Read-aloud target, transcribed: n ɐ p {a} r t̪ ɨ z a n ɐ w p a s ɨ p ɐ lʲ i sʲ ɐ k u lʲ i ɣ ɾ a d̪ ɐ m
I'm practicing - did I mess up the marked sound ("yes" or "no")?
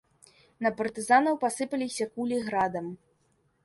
yes